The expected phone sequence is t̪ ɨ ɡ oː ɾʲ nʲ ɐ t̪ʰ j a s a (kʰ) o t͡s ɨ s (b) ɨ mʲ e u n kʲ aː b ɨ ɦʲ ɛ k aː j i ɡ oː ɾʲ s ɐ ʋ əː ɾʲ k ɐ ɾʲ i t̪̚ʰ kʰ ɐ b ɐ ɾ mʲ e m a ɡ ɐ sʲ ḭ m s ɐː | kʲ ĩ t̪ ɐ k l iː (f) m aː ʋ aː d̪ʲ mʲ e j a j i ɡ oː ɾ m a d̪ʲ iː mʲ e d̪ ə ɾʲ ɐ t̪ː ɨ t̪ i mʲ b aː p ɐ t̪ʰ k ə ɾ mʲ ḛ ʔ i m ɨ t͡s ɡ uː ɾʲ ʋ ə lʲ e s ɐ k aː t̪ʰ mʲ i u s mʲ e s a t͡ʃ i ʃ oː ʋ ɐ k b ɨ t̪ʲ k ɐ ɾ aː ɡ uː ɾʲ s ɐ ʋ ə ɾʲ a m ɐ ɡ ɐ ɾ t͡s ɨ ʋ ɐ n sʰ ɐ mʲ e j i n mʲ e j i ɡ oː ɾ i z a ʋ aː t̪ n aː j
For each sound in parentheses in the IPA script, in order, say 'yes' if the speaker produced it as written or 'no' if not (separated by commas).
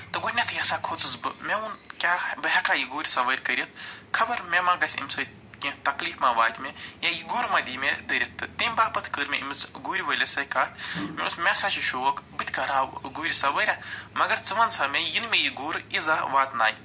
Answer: yes, yes, yes